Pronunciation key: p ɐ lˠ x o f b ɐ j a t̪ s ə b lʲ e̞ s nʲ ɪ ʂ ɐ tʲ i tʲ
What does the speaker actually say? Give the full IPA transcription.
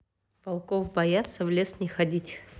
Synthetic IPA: p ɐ lˠ k o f b ɐ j a t̪ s ə v lʲ e̞ s nʲ ɪ x ɐ dʲ i tʲ